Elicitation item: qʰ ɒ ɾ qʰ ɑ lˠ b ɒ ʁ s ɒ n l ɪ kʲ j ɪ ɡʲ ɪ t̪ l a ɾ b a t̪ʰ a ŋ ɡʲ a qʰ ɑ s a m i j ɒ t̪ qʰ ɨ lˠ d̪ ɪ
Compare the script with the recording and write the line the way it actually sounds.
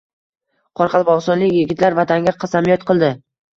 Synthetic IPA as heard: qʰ ɒ ɾ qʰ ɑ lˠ b ɒ ʁ s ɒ n l ɪ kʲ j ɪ ɡʲ ɪ t̪ l a ɾ v a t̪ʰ a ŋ ɡʲ a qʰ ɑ s a m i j ɒ t̪ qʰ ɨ lˠ d̪ ɪ